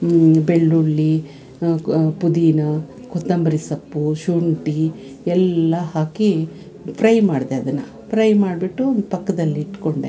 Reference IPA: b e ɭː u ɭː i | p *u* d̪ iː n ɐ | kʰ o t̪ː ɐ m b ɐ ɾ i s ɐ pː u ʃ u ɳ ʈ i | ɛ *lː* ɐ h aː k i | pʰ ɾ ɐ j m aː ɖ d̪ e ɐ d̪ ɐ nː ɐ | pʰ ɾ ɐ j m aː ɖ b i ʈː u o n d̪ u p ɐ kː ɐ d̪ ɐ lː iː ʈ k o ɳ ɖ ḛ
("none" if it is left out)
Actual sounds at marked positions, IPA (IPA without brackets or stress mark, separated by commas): u, lː